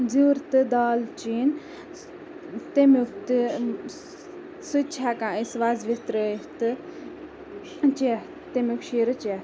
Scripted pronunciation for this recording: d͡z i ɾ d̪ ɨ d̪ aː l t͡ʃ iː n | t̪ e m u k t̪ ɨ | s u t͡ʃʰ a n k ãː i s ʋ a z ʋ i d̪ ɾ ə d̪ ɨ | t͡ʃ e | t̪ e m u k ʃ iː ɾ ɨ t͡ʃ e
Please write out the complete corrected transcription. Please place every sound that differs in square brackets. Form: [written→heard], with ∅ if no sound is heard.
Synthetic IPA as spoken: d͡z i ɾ [d̪→t̪] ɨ d̪ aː l t͡ʃ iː n | t̪ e m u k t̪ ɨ | s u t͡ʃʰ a [n→∅] k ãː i s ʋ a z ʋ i [d̪→t̪] ɾ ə [d̪→t̪] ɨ | t͡ʃ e | t̪ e m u k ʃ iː ɾ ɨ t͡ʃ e